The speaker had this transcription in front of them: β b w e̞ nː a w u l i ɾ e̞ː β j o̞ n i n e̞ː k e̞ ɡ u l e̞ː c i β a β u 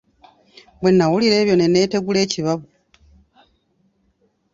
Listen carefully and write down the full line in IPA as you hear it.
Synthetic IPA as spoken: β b w e̞ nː a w u l i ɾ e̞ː β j o̞ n e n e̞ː t e̞ ɡ u l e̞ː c i β a β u